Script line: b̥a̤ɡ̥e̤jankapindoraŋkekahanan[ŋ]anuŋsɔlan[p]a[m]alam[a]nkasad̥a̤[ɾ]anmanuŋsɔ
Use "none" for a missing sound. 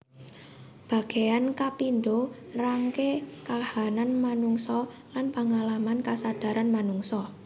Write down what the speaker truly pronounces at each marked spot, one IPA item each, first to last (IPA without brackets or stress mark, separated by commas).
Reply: m, p, ŋ, a, ɾ